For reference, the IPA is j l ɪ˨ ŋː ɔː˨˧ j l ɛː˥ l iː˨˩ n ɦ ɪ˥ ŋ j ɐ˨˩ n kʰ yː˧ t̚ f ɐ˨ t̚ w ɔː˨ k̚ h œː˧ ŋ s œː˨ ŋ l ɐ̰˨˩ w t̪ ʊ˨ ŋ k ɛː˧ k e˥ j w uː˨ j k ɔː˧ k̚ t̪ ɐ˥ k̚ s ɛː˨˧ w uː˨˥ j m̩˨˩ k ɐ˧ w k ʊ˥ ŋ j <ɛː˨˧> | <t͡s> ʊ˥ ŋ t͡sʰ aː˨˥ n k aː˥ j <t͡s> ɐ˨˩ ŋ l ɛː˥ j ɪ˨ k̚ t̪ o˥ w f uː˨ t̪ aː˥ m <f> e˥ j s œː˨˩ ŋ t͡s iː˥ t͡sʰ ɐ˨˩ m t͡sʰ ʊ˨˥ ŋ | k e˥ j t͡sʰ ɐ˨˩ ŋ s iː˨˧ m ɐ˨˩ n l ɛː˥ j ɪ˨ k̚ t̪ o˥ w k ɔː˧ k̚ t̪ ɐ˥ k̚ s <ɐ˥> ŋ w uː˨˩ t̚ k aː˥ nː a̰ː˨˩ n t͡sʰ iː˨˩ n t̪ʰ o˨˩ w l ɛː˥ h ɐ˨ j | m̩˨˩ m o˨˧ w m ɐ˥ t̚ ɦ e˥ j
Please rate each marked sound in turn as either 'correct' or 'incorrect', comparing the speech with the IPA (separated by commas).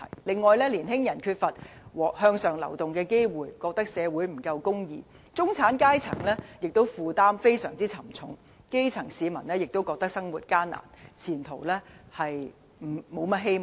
incorrect, correct, incorrect, correct, correct